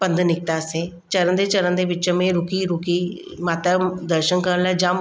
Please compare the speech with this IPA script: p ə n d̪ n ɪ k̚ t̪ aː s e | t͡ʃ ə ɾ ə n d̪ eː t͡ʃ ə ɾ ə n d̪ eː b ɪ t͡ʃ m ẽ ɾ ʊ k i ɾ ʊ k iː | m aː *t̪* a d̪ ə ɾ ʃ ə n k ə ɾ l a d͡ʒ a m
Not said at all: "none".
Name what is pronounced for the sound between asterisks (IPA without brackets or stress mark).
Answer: t̪